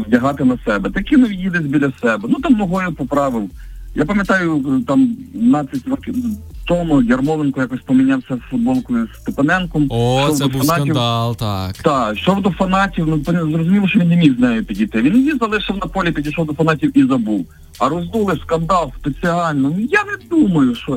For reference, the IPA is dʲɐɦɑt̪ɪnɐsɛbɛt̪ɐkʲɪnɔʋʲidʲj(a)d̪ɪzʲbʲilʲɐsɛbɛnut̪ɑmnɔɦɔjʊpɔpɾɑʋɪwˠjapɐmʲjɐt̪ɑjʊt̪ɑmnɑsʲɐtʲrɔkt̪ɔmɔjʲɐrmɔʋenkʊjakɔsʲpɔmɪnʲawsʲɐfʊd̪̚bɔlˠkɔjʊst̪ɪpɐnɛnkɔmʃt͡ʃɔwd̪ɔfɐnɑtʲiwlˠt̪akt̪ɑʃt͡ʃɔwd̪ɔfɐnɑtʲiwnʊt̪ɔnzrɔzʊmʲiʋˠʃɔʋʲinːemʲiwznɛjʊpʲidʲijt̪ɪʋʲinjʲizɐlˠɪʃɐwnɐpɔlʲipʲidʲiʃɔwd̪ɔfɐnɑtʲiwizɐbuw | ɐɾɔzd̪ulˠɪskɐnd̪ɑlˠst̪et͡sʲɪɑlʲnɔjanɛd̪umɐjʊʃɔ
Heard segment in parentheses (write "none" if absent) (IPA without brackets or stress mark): i